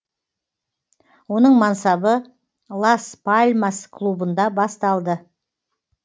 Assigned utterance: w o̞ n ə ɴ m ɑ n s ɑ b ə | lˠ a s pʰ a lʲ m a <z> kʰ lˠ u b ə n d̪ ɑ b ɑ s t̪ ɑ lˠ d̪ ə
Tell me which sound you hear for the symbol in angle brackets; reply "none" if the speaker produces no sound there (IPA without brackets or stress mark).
s